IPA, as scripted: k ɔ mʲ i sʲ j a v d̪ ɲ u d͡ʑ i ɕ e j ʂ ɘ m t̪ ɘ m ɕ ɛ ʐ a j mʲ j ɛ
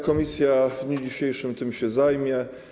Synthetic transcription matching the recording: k ɔ mʲ i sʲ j a v d̪ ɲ u d͡ʑ i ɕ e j ʂ ɘ m t̪ ɘ m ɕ ɛ z a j mʲ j ɛ

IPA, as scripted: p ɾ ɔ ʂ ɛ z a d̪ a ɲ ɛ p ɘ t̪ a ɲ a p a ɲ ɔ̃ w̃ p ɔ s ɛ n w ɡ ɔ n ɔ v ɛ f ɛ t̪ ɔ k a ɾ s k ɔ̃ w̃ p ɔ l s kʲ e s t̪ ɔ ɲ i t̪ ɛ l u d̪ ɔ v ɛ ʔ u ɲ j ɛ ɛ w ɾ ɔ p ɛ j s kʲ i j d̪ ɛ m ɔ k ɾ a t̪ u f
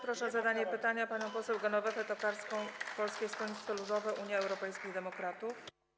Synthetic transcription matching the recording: p ɾ ɔ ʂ ɛ z a d̪ a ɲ ɛ p ɘ t̪ a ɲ a p a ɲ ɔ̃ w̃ p ɔ s ɛ w ɡ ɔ n ɔ v ɛ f ɛ t̪ ɔ k a ɾ s k ɔ̃ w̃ p ɔ l s kʲ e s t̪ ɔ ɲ i t̪ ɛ l u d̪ ɔ v ɛ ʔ u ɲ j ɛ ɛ w ɾ ɔ p ɛ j s kʲ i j d̪ ɛ m ɔ k ɾ a t̪ u f

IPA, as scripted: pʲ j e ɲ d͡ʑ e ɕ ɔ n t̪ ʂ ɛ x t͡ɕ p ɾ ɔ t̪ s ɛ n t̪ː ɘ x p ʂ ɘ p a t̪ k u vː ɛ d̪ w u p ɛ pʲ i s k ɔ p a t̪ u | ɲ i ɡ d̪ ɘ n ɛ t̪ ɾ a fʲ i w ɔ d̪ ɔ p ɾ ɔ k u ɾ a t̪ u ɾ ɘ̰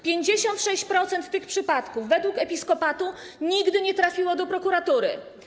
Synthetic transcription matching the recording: pʲ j e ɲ d͡ʑ e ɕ ɔ n t̪ ʂ ɛ ɕ t͡ɕ p ɾ ɔ t̪ s ɛ n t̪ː ɘ x p ʂ ɘ p a t̪ k u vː ɛ d̪ w u k ɛ pʲ i s k ɔ p a t̪ u | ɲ i ɡ d̪ ɘ ɲ ɛ t̪ ɾ a fʲ i w ɔ d̪ ɔ p ɾ ɔ k u ɾ a t̪ u ɾ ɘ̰

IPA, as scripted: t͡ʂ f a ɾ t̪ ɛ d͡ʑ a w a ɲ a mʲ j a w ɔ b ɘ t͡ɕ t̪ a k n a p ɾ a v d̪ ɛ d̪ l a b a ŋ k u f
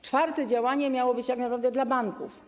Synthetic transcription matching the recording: t͡ʂ f a ɾ t̪ ɛ d͡ʑ a w a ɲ ɛ mʲ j a w ɔ b ɘ t͡ɕ t̪ a k n a p ɾ a v d̪ ɛ d̪ l a b a ŋ k u f

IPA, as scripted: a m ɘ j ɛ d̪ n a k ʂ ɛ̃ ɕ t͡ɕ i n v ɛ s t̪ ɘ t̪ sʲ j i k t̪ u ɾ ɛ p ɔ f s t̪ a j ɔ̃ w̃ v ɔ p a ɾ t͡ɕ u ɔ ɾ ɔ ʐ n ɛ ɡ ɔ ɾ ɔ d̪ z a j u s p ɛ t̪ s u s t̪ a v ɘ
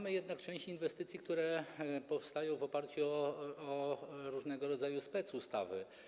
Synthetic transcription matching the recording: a m ɘ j ɛ d̪ n a k t͡ʂ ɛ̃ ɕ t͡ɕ i n v ɛ s t̪ ɘ t̪ sʲ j i k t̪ u ɾ ɛ p ɔ f s t̪ a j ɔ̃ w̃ v ɔ p a ɾ t͡ɕ u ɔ ɾ u ʐ n ɛ ɡ ɔ ɾ ɔ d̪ z a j u s p ɛ t̪ s u s t̪ a v ɘ

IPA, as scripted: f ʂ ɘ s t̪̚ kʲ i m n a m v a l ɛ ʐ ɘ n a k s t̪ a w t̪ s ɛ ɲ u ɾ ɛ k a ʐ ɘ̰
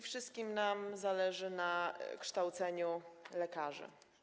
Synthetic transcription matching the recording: f ʂ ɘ s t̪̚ kʲ i m n a m z a l ɛ ʐ ɘ n a k ʂ t̪ a w t̪ s ɛ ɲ u l ɛ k a ʐ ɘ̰

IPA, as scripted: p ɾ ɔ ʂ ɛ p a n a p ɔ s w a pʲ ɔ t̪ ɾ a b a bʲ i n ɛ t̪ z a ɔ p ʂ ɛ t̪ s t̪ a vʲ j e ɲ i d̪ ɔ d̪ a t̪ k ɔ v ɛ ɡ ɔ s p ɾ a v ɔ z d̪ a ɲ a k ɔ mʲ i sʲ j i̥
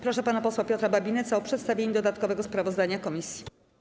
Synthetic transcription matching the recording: p ɾ ɔ ʂ ɛ p a n a p ɔ s w a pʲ ɔ t̪ ɾ a b a bʲ i n ɛ t̪ s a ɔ p ʂ ɛ t̪ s t̪ a vʲ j e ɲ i d̪ ɔ d̪ a t̪ k ɔ v ɛ ɡ ɔ s p ɾ a v ɔ z d̪ a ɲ a k ɔ mʲ i sʲ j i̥

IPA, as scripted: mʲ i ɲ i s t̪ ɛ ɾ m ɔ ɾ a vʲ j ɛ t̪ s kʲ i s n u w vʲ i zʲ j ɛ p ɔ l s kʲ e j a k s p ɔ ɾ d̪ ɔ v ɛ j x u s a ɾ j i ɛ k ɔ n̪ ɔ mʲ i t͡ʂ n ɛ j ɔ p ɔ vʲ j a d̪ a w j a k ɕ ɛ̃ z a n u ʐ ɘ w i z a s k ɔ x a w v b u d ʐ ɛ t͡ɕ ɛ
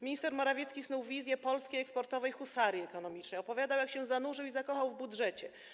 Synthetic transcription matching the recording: mʲ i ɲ i s t̪ ɛ ɾ m ɔ ɾ a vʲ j ɛ t̪ s kʲ i s n u w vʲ i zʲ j ɛ p ɔ l s kʲ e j ɛ k s p ɔ ɾ t̪ ɔ v ɛ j x u s a ɾ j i ɛ k ɔ n̪ ɔ mʲ i t͡ʂ n ɛ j ɔ p ɔ vʲ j a d̪ a w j a k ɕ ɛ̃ z a n u ʐ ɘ w i z a k ɔ x a w v b u d ʐ ɛ t͡ɕ ɛ

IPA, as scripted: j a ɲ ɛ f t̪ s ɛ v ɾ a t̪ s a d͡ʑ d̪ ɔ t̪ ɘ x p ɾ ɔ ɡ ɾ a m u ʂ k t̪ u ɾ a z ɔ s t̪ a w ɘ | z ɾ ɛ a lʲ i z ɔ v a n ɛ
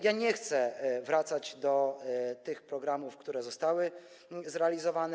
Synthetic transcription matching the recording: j a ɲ ɛ x t̪ s ɛ v ɾ a t̪ s a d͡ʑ d̪ ɔ t̪ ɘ x p ɾ ɔ ɡ ɾ a m u f k t̪ u ɾ ɛ z ɔ s t̪ a w ɘ | z ɾ ɛ a lʲ i z ɔ v a n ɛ

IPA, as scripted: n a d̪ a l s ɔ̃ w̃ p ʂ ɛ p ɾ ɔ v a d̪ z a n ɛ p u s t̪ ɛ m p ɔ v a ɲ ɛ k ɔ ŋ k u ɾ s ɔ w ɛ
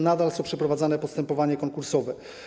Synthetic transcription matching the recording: n a d̪ a l s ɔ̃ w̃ p ʂ ɛ p ɾ ɔ v a d̪ z a n ɛ p ɔ s t̪ ɛ m p ɔ v a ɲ ɛ k ɔ ŋ k u ɾ s ɔ v ɛ

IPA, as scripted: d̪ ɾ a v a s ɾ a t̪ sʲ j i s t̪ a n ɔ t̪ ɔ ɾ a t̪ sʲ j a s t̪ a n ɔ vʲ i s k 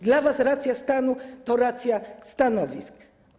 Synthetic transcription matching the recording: d̪ l a v a s ɾ a t̪ sʲ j a s t̪ a n u t̪ ɔ ɾ a t̪ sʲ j a s t̪ a n ɔ vʲ i s k

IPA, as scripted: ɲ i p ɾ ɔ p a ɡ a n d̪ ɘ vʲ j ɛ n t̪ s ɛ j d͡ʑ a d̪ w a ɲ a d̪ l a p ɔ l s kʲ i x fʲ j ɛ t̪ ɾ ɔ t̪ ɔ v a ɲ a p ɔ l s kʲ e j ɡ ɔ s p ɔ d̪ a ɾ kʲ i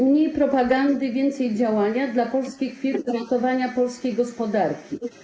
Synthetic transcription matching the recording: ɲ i p ɾ ɔ p a ɡ a n d̪ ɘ vʲ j ɛ n t̪ s ɛ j d͡ʑ a w a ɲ a d̪ l a p ɔ l s kʲ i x fʲ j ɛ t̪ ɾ ɔ t̪ ɔ v a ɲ a p ɔ l s kʲ e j ɡ ɔ s p ɔ d̪ a ɾ kʲ i

